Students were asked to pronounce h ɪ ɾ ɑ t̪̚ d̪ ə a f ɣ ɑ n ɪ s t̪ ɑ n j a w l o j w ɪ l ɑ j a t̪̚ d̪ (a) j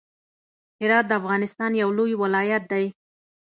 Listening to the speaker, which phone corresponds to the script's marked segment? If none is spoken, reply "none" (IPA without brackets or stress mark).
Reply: a